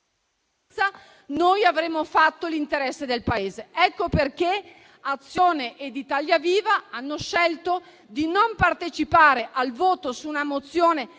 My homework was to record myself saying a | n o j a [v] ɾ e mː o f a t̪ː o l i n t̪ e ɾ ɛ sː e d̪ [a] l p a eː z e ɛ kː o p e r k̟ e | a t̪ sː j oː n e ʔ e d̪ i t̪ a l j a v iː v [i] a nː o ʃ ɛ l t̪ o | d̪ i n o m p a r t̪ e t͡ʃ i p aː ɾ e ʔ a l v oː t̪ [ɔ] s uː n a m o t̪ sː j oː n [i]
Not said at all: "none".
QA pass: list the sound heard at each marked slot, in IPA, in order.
v, e, a, o, e

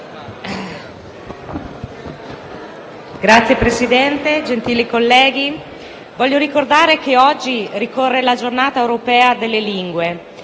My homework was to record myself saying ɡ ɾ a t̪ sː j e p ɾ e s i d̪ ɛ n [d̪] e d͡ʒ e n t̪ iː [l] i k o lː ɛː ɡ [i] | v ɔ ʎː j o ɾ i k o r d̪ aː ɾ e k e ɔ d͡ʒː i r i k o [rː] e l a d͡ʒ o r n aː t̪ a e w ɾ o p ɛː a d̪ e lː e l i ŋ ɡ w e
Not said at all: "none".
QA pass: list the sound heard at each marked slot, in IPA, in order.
t̪, l, i, rː

